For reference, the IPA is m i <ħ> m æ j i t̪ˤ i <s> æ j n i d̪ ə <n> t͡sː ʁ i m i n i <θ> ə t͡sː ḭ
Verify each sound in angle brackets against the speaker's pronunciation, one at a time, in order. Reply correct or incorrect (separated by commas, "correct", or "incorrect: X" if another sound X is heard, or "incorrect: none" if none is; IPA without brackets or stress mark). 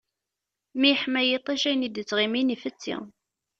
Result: correct, incorrect: ʃ, incorrect: none, incorrect: f